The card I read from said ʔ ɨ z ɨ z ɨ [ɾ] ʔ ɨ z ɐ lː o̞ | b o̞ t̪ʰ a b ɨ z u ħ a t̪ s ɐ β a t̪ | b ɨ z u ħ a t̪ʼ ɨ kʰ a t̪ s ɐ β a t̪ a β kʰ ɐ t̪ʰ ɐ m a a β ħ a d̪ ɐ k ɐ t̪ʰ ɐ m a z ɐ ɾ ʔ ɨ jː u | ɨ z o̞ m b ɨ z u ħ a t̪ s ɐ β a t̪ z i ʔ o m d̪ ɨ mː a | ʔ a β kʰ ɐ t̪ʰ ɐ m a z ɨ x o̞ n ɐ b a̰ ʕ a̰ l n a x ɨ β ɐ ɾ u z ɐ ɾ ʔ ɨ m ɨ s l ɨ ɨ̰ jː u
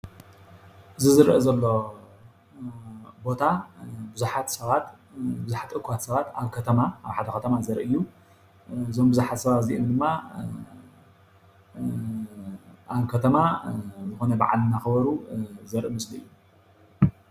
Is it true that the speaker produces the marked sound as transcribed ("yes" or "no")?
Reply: yes